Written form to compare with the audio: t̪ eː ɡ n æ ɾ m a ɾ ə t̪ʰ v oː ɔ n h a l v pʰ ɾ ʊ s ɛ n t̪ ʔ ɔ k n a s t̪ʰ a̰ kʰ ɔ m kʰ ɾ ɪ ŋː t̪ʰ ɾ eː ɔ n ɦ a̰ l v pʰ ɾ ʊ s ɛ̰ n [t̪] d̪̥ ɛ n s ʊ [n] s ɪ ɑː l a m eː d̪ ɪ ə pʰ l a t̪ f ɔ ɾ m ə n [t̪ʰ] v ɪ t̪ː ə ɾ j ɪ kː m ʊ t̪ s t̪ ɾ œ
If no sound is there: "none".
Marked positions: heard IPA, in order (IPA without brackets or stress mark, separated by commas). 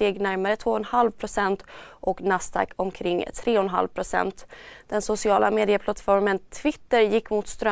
t̪, none, t̪ʰ